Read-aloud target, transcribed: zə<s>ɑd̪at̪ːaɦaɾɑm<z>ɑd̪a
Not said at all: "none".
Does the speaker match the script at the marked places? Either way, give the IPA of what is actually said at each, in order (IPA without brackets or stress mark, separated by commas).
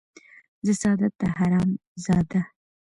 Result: s, z